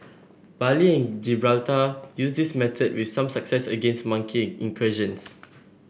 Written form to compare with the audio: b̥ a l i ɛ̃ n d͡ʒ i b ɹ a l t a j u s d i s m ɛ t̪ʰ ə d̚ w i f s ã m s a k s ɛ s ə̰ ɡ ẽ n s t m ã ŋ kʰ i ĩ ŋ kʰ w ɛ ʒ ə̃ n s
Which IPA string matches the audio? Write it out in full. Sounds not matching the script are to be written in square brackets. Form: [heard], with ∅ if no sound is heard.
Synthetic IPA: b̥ a l i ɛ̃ n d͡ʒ i b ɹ a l t a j u s d i s m ɛ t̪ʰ ə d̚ w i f s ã m s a k s ɛ s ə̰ ɡ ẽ n s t m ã ŋ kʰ i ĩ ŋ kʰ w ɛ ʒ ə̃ n s

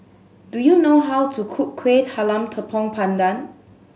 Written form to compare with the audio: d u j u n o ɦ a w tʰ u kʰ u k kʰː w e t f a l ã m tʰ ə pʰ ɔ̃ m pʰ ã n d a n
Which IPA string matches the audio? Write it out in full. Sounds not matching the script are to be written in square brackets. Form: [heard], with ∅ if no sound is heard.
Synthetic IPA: d u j u n o ɦ a w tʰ u kʰ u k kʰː w e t [h] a l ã m tʰ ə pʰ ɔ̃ [ŋ] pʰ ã n d a n

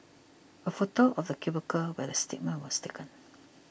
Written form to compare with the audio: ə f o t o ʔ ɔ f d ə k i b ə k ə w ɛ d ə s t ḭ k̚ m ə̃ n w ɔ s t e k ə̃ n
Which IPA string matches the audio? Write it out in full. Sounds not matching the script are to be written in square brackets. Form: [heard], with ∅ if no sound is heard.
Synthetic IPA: ə f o t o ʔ ɔ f d ə k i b ə k ə w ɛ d ə s t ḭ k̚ m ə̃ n w ɔ s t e k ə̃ n

